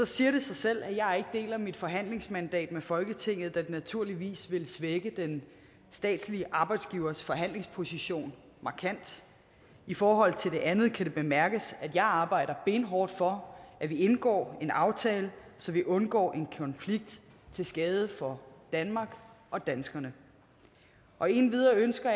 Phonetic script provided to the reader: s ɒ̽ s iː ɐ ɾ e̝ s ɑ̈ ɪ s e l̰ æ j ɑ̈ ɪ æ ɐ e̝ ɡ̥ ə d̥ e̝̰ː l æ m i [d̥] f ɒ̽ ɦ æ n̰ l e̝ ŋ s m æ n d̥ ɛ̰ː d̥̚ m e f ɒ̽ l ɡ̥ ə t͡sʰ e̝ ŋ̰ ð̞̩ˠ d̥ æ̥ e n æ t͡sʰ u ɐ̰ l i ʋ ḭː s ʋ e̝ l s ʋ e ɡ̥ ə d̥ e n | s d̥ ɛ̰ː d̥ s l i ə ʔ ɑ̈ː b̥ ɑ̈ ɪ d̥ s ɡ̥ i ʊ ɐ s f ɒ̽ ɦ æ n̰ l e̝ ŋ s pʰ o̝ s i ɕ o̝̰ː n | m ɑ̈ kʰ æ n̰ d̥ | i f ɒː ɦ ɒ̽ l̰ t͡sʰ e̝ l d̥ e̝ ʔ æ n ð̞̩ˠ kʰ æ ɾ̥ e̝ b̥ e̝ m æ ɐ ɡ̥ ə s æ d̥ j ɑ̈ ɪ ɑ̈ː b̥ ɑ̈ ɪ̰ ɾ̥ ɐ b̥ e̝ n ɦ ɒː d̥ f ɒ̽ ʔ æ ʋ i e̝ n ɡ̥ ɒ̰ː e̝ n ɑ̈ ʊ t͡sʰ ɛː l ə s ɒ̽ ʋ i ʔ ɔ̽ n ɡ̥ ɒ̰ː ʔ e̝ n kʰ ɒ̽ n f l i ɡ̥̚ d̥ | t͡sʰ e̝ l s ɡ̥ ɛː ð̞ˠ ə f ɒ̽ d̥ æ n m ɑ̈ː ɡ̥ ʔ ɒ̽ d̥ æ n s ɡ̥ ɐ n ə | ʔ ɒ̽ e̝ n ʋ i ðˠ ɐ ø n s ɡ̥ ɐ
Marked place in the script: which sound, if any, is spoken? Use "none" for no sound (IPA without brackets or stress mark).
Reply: d̥